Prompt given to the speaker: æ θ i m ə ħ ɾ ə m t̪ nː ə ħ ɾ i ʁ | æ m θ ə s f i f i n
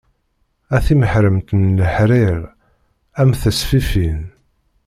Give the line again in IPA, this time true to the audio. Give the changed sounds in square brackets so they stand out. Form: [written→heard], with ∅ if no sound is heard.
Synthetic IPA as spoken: æ θ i m ə ħ ɾ ə m t̪ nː ə ħ ɾ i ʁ | æ m θ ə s f i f i n